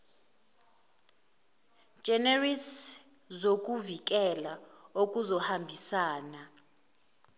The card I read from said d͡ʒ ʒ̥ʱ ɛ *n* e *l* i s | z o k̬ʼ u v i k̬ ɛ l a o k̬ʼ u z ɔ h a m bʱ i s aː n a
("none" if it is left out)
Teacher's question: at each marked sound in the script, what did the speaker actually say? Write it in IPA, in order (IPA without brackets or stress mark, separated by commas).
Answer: n, r